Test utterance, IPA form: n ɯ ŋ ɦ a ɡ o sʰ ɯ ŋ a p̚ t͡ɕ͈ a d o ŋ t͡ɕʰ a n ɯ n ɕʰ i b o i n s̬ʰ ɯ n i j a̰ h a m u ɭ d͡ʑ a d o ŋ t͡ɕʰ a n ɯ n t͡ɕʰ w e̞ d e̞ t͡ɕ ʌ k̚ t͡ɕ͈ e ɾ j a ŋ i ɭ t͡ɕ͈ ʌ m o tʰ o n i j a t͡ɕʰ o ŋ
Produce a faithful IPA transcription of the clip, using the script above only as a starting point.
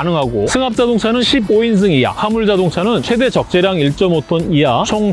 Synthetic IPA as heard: n ɯ ŋ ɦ a ɡ o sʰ ɯ ŋ a p̚ t͡ɕ͈ a d o ŋ t͡ɕʰ a n ɯ n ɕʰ i b o i n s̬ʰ ɯ ŋ i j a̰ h a m u ɭ d͡ʑ a d o ŋ t͡ɕʰ a n ɯ n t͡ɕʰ w e̞ d e̞ t͡ɕ ʌ k̚ t͡ɕ͈ e ɾ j a ŋ i ɭ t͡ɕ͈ ʌ m o tʰ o n i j a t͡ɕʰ o ŋ